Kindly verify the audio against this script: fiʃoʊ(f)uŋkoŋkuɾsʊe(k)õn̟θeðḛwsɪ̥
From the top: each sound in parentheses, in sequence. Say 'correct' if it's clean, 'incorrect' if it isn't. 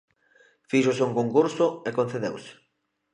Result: incorrect, correct

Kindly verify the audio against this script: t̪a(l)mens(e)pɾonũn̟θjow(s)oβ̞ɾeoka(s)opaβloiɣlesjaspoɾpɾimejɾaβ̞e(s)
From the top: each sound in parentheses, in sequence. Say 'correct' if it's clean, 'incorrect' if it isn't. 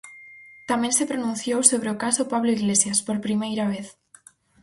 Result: incorrect, correct, correct, correct, incorrect

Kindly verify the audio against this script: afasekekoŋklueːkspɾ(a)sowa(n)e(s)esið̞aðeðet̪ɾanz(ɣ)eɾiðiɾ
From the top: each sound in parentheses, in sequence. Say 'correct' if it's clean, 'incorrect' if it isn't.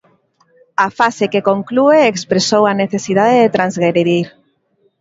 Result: incorrect, correct, incorrect, correct

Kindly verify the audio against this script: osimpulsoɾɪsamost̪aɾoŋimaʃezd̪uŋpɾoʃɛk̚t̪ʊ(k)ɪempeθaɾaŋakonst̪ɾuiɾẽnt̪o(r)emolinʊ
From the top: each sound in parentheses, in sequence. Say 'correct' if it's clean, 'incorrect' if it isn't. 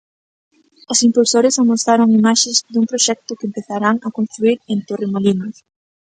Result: correct, correct

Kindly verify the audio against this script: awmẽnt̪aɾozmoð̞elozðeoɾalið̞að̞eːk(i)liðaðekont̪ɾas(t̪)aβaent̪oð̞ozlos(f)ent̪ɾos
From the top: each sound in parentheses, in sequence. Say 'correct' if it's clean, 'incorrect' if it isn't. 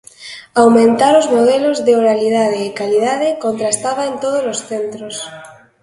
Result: incorrect, correct, incorrect

